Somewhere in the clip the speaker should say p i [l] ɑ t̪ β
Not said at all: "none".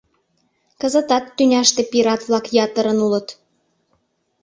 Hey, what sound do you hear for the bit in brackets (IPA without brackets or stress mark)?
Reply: ɾ